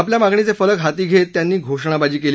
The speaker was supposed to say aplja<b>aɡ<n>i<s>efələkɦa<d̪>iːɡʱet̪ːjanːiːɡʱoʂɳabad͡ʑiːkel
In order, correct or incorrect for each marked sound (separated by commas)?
incorrect, incorrect, incorrect, incorrect